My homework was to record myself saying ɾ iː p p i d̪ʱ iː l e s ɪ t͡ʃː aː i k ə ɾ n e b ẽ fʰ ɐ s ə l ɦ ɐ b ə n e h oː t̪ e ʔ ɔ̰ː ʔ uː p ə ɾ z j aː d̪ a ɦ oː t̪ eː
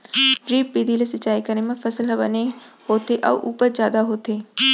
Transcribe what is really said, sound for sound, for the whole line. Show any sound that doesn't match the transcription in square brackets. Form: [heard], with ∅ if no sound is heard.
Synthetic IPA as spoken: ɾ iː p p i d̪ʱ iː l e s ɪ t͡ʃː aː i k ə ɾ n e [m] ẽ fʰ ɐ s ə l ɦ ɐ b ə n e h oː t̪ e ʔ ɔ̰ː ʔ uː p ə ɾ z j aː d̪ a ɦ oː t̪ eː